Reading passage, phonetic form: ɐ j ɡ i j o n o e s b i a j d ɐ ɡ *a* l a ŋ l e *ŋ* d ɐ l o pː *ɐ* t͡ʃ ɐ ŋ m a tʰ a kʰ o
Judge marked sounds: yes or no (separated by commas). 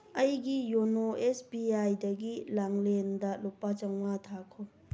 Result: no, no, no